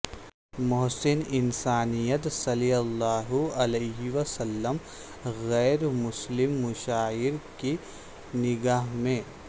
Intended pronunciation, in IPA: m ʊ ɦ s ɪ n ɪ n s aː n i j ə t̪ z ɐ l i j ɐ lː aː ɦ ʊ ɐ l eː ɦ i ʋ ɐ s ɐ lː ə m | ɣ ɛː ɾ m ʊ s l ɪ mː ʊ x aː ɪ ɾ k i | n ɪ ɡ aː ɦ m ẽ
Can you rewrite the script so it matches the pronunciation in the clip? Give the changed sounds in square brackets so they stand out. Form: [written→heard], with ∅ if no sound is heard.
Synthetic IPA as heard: m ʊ ɦ s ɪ n ɪ n s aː n i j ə t̪ [z→s] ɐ l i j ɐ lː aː ɦ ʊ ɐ l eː ɦ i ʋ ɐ s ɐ lː ə m | ɣ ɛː ɾ m ʊ s l ɪ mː ʊ [x→ʃ] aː ɪ ɾ k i | n ɪ ɡ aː ɦ m ẽ